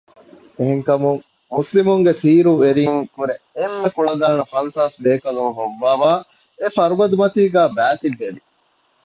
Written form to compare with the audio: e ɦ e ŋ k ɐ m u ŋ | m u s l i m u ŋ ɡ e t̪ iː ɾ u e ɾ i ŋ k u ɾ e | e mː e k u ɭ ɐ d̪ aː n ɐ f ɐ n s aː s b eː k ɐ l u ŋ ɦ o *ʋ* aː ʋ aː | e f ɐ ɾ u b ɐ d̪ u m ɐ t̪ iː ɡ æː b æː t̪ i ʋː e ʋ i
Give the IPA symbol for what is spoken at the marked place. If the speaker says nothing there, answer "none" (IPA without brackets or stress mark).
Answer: ʋː